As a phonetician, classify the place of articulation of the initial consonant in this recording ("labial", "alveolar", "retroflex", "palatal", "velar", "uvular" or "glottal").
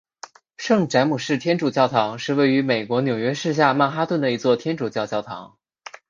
retroflex